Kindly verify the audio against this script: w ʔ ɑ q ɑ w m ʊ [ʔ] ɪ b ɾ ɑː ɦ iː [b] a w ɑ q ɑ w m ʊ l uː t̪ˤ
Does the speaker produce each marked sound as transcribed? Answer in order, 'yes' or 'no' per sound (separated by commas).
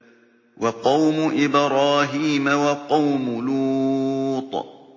yes, no